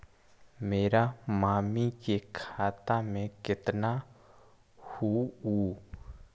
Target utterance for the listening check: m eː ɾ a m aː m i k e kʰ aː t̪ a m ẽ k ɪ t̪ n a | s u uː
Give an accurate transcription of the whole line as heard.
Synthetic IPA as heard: m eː ɾ a m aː m i k e kʰ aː t̪ a m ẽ k ɪ t̪ n a | h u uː